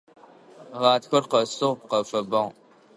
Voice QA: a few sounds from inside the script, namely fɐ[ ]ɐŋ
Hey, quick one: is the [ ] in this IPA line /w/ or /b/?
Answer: b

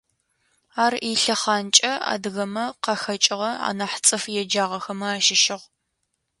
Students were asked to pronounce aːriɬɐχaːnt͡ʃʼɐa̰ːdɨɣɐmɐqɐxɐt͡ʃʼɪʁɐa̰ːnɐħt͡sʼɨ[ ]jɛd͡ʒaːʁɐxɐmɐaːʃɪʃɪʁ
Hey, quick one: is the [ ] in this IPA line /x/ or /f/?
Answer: f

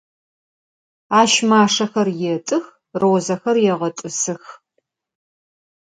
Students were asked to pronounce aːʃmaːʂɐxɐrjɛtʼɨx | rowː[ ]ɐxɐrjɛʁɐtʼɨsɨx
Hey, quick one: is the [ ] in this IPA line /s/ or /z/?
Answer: z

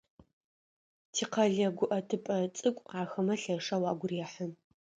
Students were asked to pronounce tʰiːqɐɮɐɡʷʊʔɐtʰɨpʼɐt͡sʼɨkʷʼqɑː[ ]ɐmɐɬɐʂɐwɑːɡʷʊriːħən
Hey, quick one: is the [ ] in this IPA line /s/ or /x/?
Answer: x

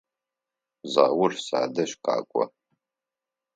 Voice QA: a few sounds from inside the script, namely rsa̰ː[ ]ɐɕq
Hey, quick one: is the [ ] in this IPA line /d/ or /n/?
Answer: d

